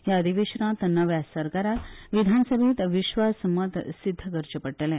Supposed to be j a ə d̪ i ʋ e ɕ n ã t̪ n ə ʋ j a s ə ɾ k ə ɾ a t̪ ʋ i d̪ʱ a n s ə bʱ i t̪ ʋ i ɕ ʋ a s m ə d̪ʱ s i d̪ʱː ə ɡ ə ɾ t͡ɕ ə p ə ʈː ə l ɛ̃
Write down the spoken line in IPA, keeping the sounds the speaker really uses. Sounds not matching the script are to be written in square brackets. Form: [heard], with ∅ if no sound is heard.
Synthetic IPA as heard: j a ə d̪ i ʋ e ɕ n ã t̪ n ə ʋ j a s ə ɾ k [a] ɾ a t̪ ʋ i d̪ʱ a n s ə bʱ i t̪ ʋ i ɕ ʋ a s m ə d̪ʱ s i d̪ʱː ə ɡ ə ɾ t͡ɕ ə p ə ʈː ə l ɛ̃